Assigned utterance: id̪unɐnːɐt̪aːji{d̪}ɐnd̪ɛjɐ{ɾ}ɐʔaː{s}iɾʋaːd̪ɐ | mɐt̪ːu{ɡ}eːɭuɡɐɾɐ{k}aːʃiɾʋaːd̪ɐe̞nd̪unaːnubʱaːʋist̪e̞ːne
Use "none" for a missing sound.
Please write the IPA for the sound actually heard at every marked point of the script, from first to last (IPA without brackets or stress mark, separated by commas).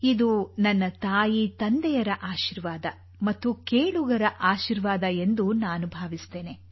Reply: t̪, ɾ, ʃ, k, ʔ